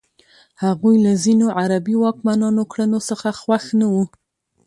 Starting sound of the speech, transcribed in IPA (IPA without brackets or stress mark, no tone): h